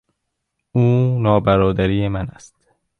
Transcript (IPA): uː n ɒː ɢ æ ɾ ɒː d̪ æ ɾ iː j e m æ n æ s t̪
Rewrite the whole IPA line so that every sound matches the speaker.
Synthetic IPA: uː n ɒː b æ ɾ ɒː d̪ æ ɾ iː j e m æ n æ s t̪